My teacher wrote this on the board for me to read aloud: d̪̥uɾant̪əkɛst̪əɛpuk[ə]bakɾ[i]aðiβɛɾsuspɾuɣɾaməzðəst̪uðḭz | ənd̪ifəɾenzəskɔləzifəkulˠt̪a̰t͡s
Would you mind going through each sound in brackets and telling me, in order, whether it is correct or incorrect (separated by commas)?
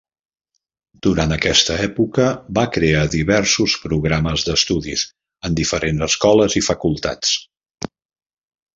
correct, incorrect